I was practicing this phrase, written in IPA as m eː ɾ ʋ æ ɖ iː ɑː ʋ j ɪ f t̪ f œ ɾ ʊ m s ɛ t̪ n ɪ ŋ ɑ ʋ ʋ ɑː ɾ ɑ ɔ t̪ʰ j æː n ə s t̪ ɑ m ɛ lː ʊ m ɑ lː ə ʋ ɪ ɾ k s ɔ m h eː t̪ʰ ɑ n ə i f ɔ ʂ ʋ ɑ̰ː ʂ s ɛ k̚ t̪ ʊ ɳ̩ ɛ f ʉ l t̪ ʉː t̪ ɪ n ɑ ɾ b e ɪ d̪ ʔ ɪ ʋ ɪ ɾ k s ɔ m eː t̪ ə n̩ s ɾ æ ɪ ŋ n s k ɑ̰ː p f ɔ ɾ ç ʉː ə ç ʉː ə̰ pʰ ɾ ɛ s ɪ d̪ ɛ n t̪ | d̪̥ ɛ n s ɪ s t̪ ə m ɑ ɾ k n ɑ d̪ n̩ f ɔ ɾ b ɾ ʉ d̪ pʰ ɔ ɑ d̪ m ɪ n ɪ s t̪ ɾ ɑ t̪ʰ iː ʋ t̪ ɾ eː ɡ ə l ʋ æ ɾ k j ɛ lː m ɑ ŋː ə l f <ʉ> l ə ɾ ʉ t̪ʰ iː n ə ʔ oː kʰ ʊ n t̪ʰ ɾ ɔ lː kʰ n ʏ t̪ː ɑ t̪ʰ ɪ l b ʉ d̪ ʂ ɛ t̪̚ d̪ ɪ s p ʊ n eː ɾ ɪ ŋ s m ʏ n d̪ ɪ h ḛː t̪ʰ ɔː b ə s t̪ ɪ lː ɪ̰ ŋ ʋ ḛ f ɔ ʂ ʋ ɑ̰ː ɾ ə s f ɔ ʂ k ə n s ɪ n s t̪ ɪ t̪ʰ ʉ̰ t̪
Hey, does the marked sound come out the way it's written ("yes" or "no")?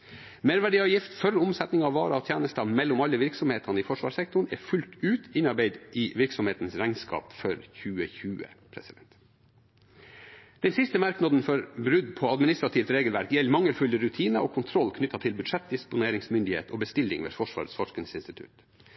yes